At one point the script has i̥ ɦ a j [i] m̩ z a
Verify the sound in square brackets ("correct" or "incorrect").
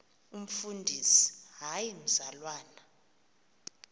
correct